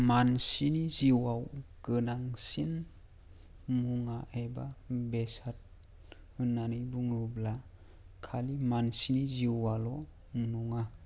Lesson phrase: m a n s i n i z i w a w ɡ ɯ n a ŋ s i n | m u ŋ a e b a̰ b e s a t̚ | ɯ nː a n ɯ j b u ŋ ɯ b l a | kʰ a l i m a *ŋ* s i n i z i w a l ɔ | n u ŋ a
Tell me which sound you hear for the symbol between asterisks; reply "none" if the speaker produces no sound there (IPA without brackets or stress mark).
n